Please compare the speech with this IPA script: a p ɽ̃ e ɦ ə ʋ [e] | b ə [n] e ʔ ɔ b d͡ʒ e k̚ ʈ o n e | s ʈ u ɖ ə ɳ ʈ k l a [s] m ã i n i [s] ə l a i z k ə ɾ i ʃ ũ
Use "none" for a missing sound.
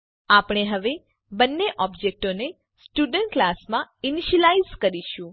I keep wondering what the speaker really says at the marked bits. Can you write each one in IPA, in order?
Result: e, nː, s, ʃ

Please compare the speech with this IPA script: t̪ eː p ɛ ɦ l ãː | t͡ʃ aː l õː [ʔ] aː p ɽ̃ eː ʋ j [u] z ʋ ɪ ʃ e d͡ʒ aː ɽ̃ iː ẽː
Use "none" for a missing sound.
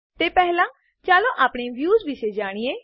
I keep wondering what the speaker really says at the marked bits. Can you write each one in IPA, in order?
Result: ʔ, uː

